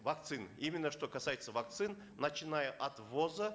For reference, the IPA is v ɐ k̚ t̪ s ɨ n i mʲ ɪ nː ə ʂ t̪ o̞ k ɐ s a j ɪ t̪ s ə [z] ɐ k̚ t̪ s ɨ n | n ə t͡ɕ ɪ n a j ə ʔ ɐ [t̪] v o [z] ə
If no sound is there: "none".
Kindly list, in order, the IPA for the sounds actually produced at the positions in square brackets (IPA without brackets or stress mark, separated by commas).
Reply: v, t̪, z